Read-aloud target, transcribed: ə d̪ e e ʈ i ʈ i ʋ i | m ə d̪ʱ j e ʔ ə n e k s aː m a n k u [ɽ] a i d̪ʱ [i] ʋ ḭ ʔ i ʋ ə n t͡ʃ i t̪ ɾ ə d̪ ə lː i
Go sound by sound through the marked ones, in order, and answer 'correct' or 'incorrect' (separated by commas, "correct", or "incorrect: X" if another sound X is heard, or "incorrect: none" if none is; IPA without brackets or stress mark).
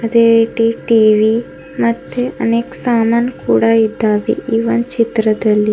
correct, incorrect: a